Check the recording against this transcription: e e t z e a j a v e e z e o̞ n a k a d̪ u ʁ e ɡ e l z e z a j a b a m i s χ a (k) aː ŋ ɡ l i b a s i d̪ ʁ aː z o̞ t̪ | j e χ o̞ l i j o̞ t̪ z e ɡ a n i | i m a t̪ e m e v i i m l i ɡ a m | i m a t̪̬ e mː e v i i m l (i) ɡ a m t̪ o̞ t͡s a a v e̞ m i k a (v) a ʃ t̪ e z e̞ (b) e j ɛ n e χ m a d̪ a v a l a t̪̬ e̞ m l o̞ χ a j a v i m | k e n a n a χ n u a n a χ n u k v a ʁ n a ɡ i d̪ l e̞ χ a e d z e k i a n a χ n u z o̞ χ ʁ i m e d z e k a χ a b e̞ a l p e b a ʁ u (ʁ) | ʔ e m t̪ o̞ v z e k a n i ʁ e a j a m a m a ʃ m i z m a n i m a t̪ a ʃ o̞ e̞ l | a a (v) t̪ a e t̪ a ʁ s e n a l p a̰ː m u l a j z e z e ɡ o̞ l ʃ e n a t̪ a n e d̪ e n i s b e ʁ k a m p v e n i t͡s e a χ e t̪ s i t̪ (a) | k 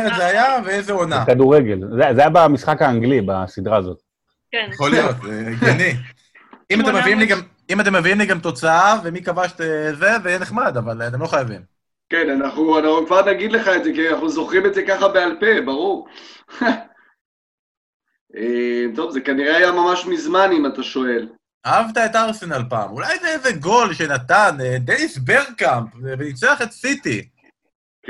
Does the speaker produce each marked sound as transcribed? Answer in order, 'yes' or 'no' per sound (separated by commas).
yes, yes, yes, no, yes, yes, no